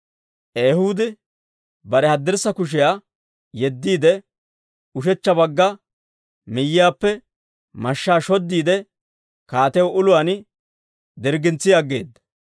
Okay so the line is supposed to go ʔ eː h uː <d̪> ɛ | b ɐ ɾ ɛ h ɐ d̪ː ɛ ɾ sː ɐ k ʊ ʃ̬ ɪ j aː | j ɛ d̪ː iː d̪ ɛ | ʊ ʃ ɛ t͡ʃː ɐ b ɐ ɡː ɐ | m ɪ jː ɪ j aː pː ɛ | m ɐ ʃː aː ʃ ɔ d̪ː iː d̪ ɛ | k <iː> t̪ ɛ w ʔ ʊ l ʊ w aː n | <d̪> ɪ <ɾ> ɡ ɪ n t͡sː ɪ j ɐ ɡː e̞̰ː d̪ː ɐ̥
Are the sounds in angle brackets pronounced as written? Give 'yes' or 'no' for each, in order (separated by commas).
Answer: yes, no, yes, yes